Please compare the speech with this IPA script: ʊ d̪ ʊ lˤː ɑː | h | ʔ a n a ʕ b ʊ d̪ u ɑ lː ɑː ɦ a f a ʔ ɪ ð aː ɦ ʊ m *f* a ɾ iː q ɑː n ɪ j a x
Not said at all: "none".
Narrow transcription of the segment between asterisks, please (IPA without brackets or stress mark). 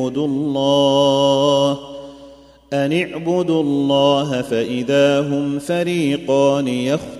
f